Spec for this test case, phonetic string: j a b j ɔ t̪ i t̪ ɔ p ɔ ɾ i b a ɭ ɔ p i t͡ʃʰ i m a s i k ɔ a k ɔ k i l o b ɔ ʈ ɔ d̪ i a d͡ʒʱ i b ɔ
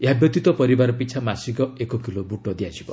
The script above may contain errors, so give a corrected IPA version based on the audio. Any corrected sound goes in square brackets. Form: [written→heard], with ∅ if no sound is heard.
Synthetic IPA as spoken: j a b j ɔ t̪ i t̪ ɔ p ɔ ɾ i b a [ɭ→ɾ] ɔ p i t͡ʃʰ [i→a] m a s i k ɔ [a→e] k ɔ k i l o b [ɔ→u] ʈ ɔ d̪ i a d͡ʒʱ i b ɔ